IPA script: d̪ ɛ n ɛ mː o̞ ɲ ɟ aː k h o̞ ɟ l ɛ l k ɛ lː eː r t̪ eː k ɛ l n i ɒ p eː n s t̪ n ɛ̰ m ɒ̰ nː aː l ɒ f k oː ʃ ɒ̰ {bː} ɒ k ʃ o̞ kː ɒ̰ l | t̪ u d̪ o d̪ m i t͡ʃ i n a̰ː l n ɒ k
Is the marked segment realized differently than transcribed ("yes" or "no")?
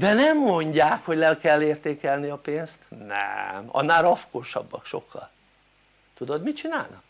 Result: no